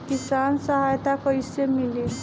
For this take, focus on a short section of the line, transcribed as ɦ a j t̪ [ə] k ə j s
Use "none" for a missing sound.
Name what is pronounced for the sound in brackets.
a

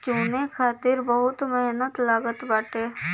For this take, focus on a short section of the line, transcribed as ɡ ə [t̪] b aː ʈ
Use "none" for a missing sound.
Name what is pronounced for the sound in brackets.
t̪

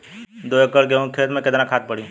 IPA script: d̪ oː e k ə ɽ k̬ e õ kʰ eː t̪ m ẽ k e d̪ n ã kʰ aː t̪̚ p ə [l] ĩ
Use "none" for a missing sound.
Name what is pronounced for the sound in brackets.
ɽ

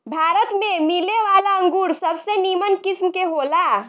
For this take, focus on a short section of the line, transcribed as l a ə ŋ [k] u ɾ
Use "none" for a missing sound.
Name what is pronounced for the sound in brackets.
ɡ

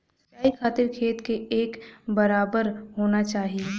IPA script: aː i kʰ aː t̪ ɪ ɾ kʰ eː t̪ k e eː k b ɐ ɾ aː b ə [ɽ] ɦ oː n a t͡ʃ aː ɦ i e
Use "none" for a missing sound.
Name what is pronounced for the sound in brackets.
ɾ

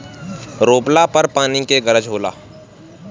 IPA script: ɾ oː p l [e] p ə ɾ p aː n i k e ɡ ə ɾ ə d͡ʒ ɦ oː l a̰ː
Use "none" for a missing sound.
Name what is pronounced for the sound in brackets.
a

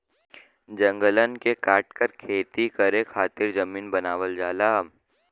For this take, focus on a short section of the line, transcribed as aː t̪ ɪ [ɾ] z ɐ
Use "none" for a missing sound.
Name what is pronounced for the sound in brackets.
ɾ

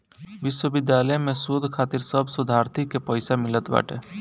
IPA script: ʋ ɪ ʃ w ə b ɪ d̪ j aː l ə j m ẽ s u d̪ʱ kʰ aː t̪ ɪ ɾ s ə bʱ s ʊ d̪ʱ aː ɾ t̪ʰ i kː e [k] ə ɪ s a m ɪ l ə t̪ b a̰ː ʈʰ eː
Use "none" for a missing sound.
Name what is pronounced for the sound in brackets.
p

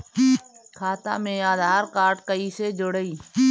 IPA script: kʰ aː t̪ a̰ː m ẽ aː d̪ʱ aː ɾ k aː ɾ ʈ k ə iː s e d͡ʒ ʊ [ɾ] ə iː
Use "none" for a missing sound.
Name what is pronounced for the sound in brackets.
ɽ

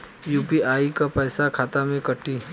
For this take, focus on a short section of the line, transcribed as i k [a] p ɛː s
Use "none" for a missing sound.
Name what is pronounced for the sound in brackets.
a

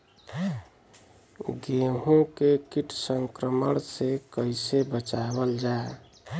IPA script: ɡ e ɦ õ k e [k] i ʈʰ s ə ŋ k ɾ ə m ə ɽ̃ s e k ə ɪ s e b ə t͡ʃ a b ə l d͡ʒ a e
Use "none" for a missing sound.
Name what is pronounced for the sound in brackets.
k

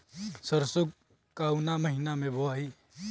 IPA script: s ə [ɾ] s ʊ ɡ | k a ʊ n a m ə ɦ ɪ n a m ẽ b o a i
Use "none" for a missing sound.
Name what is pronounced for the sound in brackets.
ɾ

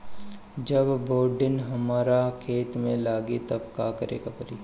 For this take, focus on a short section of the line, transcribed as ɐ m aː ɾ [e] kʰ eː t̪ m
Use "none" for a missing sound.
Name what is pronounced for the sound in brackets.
a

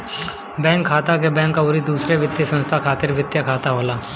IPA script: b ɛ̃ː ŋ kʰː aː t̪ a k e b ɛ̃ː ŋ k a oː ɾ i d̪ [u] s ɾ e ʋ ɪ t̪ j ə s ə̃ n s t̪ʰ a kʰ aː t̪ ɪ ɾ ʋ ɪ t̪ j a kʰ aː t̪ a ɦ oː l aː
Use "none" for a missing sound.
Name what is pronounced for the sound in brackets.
uː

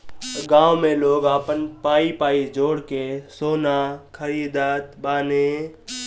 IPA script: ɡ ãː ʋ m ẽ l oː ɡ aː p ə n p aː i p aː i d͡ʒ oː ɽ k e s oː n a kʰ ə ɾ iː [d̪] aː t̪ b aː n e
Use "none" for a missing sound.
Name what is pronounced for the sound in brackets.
d̪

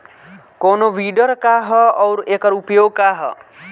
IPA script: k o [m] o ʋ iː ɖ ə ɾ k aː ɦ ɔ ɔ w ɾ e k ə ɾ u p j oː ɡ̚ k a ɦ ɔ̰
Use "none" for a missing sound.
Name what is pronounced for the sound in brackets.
n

